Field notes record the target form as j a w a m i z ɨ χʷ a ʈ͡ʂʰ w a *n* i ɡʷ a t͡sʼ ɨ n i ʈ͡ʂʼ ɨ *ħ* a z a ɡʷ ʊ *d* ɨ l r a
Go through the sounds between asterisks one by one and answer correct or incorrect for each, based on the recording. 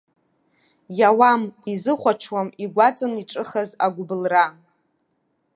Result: incorrect: m, incorrect: χ, incorrect: b

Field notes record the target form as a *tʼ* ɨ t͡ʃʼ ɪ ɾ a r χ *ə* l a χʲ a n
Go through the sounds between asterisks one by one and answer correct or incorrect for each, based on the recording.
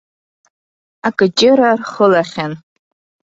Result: incorrect: kʼ, correct

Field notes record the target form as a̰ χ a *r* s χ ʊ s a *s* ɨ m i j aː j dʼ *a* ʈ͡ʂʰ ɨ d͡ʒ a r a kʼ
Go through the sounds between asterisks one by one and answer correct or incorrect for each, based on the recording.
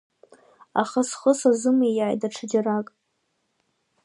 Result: incorrect: none, incorrect: z, correct

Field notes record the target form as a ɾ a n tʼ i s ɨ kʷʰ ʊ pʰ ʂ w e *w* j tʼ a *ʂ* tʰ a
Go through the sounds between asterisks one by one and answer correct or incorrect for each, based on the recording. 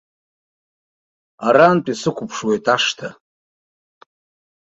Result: incorrect: none, correct

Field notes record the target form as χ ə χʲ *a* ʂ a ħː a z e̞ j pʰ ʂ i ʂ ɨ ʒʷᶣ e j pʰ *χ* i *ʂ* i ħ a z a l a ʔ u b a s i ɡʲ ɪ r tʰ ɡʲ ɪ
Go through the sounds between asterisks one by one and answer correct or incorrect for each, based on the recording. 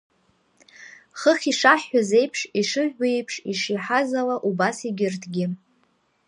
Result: incorrect: i, incorrect: ʂ, correct

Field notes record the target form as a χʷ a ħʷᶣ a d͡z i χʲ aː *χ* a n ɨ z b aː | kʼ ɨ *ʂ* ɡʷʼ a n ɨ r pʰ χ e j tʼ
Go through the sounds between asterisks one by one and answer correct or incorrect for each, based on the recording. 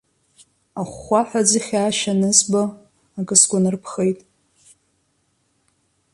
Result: incorrect: ʃ, incorrect: s

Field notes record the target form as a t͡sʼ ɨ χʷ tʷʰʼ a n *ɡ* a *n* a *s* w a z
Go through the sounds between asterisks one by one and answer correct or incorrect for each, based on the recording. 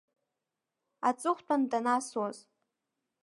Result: incorrect: d, correct, correct

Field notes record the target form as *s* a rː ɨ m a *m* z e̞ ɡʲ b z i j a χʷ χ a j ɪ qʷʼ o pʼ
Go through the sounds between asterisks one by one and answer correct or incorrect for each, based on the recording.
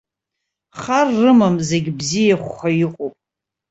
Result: incorrect: χ, correct

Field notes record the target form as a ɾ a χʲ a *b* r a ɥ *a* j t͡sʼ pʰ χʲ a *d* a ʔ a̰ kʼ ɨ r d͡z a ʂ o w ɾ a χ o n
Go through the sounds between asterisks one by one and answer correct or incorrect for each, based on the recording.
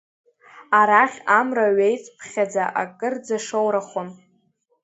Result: incorrect: m, incorrect: e, incorrect: d͡z

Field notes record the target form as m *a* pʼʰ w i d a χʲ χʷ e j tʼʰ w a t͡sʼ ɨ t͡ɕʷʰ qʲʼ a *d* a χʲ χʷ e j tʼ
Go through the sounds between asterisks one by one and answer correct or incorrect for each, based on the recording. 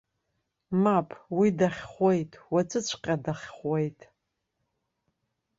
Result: correct, correct

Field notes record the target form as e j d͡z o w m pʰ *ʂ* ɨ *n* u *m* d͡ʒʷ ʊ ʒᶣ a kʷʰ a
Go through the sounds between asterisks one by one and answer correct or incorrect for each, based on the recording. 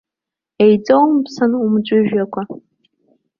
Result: incorrect: s, correct, correct

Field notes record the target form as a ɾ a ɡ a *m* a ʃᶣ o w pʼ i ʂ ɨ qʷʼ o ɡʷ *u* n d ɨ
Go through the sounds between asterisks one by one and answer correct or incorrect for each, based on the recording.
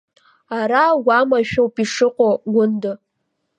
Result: correct, incorrect: ʊ

